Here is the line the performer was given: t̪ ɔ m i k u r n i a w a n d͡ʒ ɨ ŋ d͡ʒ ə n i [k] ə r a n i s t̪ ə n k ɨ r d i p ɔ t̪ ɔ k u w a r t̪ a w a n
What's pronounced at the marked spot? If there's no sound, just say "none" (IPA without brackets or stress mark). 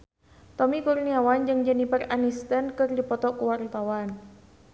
p